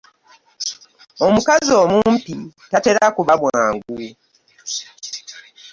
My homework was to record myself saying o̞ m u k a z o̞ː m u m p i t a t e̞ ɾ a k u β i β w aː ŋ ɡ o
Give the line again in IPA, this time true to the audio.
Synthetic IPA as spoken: o̞ m u k a z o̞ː m u m p i t a t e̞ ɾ a k u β a β w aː ŋ ɡ u